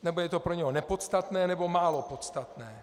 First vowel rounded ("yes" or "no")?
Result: no